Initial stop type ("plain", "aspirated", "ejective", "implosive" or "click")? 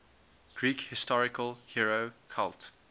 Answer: plain